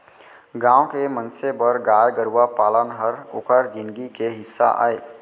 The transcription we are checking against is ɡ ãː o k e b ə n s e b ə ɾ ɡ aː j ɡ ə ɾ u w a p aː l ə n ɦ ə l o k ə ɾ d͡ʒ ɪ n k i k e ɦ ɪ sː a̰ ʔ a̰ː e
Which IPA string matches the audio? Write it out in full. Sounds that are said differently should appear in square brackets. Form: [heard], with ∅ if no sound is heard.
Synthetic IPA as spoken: ɡ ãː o k e [m] ə n s e b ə ɾ ɡ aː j ɡ ə ɾ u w a p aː l ə n ɦ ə [ɾ] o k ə ɾ d͡ʒ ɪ n [ɡ] i k e ɦ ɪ sː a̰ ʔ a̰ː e